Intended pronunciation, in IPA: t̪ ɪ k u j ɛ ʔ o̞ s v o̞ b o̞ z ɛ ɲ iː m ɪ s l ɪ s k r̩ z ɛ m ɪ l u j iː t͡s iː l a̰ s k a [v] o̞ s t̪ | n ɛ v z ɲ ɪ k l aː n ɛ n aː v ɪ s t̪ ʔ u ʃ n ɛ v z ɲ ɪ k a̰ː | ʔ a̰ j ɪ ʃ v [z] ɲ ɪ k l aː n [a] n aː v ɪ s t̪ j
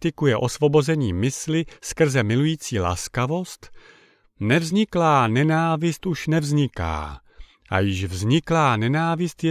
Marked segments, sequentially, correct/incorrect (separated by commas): correct, correct, incorrect